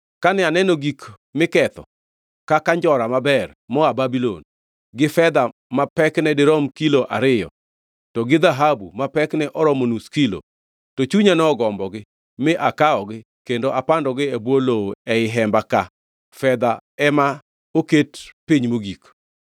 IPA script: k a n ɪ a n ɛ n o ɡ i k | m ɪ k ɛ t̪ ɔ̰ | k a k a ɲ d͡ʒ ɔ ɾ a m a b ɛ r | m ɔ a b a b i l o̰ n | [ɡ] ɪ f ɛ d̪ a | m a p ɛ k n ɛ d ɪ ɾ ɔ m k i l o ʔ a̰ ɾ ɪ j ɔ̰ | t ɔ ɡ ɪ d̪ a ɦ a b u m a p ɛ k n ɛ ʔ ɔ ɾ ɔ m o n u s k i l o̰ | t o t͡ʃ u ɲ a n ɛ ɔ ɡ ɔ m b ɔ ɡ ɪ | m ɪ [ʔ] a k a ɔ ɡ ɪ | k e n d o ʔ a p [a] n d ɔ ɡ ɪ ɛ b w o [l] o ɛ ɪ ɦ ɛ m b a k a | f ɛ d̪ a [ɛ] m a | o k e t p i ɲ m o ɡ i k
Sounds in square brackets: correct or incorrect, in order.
correct, correct, correct, correct, correct

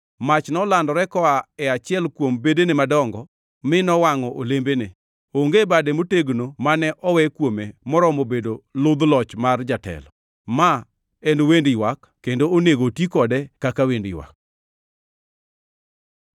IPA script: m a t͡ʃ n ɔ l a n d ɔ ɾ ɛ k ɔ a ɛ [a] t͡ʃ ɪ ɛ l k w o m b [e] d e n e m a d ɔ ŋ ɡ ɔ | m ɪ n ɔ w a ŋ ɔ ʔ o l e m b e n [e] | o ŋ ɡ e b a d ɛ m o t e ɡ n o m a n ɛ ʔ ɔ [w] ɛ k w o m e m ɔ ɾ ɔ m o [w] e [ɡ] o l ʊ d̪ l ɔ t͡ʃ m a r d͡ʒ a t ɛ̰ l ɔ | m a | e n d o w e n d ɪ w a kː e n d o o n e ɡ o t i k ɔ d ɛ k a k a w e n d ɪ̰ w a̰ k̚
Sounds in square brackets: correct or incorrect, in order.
correct, correct, correct, correct, incorrect: b, incorrect: d

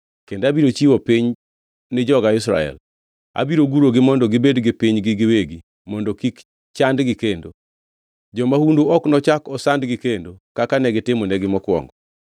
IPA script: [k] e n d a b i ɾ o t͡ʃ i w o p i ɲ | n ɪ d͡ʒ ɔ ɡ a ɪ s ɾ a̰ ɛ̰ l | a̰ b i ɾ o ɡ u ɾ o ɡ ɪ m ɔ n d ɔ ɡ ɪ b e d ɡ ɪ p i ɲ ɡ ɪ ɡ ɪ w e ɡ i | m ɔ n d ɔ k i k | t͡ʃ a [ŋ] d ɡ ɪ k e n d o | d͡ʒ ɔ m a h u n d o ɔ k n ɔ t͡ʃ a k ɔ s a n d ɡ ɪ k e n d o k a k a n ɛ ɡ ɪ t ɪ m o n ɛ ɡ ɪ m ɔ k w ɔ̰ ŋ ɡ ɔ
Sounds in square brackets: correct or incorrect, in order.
correct, incorrect: n

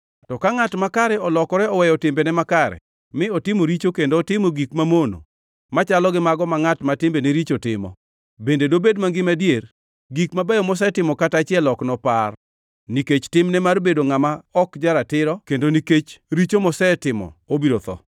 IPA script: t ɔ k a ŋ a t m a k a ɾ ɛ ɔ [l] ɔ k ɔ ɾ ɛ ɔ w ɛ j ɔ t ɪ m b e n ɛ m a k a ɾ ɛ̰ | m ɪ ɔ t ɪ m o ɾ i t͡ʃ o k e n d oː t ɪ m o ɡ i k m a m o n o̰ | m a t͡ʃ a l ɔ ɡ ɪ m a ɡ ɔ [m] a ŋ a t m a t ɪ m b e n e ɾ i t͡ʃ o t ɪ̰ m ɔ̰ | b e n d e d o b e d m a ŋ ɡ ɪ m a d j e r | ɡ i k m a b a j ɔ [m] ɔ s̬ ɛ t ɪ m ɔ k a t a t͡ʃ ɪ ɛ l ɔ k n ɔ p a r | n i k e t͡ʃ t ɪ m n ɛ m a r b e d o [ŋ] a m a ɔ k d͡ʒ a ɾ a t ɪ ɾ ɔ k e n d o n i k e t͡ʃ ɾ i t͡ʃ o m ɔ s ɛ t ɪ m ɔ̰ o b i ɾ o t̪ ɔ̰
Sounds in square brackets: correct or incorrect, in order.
correct, correct, correct, correct

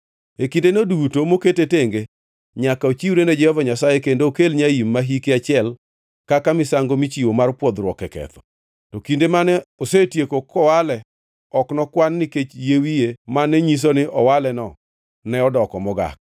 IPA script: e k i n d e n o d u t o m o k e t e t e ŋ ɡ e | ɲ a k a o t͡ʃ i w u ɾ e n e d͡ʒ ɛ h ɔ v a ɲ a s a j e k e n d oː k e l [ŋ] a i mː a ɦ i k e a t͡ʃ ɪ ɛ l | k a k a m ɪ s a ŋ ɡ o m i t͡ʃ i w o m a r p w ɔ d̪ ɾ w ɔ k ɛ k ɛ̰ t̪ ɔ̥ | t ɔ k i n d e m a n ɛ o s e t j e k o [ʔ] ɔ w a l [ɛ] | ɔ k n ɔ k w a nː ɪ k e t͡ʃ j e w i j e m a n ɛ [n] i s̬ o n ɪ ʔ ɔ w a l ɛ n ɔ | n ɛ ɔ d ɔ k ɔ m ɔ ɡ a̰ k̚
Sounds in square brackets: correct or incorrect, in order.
incorrect: ɲ, incorrect: k, correct, incorrect: ɲ

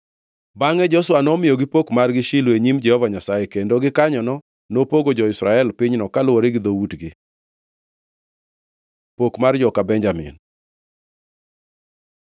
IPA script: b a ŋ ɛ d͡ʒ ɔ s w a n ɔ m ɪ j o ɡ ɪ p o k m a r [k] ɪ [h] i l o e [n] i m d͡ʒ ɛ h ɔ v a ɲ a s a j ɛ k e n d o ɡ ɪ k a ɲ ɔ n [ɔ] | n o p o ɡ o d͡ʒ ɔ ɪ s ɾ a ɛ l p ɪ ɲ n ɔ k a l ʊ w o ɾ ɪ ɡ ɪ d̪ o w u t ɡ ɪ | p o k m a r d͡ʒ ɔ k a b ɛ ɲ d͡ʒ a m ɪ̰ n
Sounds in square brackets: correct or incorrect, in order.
incorrect: ɡ, incorrect: ʃ, incorrect: ɲ, correct

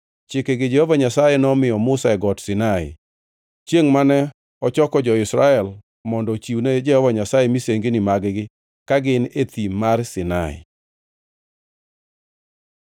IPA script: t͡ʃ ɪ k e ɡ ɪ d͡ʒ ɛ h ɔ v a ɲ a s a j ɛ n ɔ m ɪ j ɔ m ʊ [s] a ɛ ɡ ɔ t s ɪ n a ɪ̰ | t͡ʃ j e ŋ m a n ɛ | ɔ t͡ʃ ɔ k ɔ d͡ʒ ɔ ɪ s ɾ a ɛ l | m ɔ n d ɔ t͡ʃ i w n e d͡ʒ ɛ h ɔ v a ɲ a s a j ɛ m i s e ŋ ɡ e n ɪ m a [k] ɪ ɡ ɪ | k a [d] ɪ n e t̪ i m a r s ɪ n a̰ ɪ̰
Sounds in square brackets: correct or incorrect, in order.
correct, incorrect: ɡ, incorrect: ɡ

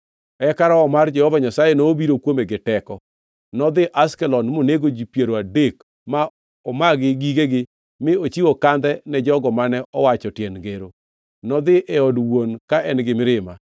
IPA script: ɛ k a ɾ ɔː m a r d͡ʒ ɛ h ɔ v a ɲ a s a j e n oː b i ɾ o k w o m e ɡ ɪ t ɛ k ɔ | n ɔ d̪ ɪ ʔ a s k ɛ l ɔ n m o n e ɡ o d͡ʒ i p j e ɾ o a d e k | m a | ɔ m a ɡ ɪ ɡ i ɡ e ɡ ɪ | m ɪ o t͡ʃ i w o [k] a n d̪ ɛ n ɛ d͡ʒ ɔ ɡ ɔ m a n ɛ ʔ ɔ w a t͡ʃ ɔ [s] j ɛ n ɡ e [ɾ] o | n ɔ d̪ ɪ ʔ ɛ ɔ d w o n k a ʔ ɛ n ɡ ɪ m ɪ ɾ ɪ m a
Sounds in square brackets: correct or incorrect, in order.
correct, incorrect: t, correct

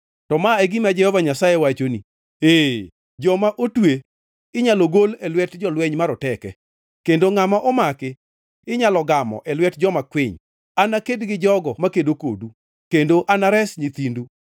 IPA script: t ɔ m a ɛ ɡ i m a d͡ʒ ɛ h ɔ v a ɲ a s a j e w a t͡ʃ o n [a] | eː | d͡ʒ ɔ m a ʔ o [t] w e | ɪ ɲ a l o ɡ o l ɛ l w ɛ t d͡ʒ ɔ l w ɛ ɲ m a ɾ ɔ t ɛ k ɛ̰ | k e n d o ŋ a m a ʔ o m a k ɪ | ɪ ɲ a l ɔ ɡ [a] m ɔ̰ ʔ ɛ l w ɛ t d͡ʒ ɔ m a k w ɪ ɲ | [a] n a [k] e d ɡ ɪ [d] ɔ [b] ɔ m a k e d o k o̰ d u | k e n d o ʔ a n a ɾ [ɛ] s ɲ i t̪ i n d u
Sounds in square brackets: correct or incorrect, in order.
incorrect: i, correct, correct, correct, correct, incorrect: d͡ʒ, incorrect: ɡ, correct

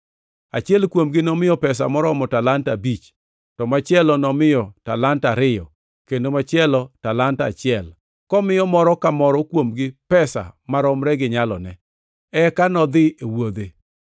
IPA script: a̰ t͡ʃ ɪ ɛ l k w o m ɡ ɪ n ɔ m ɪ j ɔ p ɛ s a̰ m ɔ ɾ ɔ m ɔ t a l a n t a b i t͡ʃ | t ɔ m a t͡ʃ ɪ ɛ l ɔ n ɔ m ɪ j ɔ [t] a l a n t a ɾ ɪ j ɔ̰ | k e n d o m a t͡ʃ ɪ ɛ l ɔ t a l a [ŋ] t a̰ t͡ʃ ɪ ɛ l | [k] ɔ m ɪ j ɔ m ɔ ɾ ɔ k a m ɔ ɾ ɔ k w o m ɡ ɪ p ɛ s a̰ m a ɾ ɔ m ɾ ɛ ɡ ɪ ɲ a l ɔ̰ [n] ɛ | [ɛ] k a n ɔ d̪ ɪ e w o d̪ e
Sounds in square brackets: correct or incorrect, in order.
correct, incorrect: n, correct, correct, correct

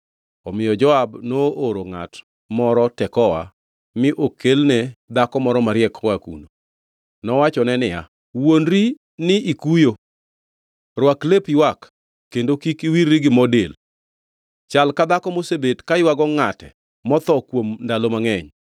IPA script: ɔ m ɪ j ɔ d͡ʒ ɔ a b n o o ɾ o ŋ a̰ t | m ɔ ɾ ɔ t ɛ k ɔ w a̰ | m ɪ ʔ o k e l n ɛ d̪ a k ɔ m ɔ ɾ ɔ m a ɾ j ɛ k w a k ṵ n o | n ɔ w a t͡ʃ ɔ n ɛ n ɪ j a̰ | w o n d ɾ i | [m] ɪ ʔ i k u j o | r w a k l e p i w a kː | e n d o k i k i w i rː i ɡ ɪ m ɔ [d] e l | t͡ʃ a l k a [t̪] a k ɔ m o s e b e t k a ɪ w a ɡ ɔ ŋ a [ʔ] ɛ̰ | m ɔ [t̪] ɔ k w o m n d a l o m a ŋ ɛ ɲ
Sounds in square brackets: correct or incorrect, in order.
incorrect: n, correct, incorrect: d̪, incorrect: t, correct

